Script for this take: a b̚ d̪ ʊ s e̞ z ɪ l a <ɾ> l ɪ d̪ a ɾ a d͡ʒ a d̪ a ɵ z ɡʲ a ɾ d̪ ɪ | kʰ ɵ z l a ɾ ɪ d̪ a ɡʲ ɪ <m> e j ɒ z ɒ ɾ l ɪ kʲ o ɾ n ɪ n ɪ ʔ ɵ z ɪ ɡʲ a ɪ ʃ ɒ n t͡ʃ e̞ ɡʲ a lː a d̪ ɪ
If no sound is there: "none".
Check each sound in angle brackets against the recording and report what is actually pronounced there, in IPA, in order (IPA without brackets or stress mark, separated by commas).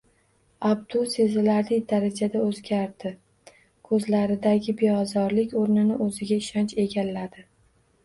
ɾ, b